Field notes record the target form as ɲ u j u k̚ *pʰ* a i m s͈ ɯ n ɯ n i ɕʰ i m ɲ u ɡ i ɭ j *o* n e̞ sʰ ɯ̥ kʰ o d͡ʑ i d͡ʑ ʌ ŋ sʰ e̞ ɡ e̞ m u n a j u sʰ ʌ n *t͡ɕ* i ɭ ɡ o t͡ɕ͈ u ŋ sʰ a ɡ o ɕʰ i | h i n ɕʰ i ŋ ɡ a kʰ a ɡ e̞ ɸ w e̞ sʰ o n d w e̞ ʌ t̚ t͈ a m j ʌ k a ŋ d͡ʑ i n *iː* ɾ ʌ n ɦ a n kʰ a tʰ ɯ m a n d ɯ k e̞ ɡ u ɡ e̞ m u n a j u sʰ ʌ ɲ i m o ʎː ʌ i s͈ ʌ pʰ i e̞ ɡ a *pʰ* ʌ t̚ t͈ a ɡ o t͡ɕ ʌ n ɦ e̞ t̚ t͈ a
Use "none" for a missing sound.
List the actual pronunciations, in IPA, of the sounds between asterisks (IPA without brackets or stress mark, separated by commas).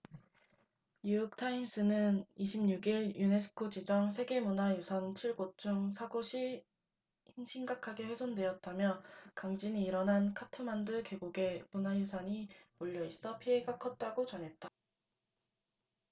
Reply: tʰ, u, t͡ɕʰ, iː, kʰ